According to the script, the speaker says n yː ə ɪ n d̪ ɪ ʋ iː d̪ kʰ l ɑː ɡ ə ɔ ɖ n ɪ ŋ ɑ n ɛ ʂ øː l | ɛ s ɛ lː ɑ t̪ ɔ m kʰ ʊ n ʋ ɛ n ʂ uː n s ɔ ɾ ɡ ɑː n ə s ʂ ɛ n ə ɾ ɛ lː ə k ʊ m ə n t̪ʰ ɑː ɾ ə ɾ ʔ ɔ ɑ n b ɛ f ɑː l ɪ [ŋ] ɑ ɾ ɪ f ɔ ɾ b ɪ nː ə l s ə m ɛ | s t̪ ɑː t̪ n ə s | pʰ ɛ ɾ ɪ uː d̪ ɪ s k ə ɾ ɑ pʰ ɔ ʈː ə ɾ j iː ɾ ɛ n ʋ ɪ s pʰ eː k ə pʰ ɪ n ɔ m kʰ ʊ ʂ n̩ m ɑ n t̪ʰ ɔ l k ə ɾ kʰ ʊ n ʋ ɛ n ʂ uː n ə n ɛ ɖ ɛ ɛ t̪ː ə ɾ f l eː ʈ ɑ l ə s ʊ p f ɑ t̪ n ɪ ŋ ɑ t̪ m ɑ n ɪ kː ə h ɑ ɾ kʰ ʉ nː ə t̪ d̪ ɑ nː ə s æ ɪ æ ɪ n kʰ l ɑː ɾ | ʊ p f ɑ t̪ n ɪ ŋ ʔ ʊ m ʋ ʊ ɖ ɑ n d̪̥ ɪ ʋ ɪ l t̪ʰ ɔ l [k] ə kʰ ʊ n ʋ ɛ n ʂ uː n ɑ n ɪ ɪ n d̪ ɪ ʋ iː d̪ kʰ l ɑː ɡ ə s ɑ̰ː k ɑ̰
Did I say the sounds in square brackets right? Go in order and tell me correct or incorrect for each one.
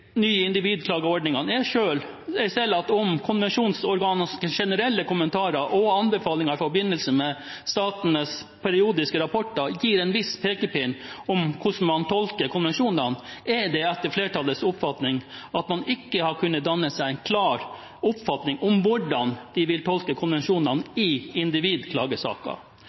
correct, correct

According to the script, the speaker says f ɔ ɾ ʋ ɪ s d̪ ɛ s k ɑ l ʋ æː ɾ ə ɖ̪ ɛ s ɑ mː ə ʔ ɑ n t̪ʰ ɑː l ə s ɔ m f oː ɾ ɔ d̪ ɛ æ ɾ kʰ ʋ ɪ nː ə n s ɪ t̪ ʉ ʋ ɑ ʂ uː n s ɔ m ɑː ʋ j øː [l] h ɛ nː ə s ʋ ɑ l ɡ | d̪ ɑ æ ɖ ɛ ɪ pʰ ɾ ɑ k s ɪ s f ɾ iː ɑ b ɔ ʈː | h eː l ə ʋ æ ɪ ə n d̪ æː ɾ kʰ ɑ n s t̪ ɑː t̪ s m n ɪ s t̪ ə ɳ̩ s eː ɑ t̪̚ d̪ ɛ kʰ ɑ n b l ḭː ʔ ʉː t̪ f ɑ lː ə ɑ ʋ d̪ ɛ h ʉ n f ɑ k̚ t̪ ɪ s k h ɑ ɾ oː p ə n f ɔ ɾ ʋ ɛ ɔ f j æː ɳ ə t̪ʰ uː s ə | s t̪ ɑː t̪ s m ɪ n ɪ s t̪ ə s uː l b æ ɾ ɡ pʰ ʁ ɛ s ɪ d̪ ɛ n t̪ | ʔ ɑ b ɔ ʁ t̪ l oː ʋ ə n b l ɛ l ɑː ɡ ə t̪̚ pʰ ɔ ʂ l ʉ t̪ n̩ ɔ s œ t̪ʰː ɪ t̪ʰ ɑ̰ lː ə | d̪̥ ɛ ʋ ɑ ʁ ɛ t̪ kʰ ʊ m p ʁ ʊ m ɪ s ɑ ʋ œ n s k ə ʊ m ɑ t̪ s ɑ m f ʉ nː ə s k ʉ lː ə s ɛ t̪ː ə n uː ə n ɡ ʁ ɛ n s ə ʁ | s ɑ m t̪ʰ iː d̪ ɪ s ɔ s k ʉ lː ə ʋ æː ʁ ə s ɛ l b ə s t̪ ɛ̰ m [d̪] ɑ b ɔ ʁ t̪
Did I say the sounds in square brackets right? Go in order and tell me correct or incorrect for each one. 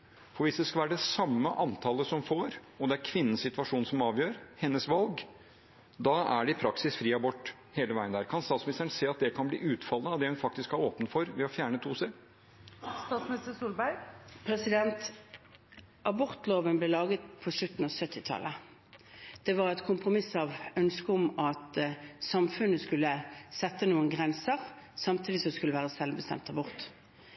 incorrect: ɾ, incorrect: t̪

